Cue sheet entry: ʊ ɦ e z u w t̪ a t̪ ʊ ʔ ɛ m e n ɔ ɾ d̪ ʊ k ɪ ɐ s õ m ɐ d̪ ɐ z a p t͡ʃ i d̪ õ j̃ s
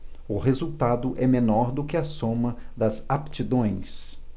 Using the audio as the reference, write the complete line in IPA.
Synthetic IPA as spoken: ʊ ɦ e z u w t̪ a d̪ ʊ ʔ ɛ m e n ɔ ɾ d̪ ʊ k ɪ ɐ s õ m ɐ d̪ ɐ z a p t͡ʃ i d̪ õ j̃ s